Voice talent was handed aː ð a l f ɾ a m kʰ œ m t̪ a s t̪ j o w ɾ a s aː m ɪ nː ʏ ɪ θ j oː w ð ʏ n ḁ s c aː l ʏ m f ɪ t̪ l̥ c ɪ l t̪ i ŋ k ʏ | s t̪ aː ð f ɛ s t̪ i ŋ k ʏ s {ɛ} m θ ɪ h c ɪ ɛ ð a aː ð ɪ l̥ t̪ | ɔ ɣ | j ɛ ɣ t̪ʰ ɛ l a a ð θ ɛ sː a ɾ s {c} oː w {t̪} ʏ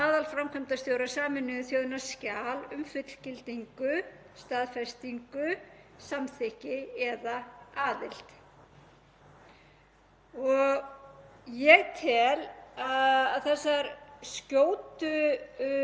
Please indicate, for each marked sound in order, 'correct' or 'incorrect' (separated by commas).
incorrect, correct, correct